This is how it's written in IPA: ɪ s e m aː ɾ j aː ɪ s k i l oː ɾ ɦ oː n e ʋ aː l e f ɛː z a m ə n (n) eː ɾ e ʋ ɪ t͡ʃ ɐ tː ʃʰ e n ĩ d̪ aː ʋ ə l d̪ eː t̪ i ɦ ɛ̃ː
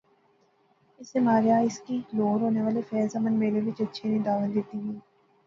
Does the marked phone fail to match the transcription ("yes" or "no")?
yes